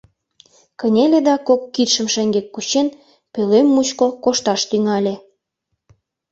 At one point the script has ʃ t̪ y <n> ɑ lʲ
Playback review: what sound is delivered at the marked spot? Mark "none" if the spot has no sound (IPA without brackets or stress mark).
ŋ